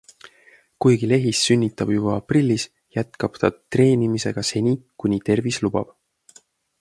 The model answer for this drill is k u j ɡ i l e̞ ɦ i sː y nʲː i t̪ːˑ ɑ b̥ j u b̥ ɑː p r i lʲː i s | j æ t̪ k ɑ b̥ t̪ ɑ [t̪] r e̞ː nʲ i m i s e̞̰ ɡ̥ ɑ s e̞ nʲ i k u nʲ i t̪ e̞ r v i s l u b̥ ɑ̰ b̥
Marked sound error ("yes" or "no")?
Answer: no